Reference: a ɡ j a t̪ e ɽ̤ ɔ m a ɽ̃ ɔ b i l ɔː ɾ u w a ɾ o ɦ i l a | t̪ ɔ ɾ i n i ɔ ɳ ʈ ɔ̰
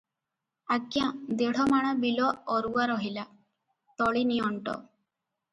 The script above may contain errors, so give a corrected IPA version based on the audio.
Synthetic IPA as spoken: a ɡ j a d̪ e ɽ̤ ɔ m a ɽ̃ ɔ b i l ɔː ɾ u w a ɾ ɔ ɦ i l a | t̪ ɔ ɭ i n i ɔ ɳ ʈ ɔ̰